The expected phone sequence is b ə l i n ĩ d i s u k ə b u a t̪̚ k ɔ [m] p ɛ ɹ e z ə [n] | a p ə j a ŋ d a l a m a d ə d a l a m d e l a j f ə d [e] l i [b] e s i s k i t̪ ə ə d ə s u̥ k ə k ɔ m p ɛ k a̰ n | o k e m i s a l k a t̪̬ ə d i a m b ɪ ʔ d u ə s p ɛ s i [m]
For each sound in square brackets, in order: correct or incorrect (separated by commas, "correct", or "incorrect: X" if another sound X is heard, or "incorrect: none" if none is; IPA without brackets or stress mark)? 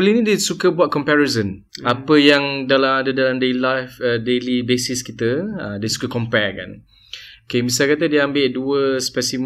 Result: correct, correct, correct, correct, correct